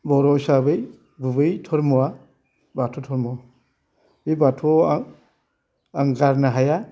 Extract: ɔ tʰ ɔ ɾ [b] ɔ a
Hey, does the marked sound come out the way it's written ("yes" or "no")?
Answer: no